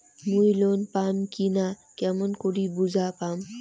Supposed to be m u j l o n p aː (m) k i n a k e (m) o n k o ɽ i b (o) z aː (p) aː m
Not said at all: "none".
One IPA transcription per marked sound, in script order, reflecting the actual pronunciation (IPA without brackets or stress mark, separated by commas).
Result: m, m, u, p